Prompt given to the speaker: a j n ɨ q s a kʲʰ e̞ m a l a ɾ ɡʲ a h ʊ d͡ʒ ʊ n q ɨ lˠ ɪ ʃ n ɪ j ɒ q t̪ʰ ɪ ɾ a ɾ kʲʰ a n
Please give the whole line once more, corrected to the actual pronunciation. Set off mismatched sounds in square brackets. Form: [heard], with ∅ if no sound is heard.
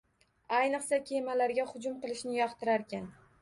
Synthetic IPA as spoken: a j n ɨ q s a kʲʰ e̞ m a l a ɾ ɡʲ a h ʊ d͡ʒ ʊ [m] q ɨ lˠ ɪ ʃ n ɪ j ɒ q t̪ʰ ɪ ɾ a ɾ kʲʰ a n